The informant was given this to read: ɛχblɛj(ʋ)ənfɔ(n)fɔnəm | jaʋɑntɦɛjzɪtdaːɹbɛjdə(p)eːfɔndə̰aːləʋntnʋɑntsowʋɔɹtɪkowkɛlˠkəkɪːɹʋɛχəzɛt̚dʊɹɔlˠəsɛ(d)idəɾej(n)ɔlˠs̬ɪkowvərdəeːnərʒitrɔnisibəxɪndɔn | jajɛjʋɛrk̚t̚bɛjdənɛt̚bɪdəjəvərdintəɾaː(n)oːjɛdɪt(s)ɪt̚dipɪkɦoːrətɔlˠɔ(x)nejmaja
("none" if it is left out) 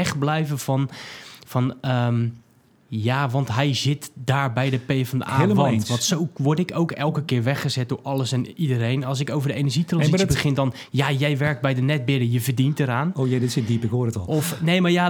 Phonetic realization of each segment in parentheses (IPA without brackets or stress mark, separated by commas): v, n, p, n, n, n, s, f